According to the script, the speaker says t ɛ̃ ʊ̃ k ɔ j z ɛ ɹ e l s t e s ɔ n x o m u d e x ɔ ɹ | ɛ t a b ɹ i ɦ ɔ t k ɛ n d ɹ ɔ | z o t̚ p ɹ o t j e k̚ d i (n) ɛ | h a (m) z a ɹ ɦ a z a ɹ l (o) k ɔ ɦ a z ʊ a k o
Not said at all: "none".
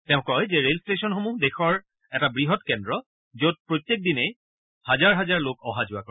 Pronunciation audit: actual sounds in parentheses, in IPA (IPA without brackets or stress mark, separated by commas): n, none, o